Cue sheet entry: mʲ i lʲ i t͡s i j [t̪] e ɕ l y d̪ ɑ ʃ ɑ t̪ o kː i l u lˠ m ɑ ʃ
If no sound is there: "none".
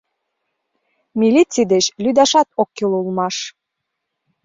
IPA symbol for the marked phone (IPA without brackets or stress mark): d̪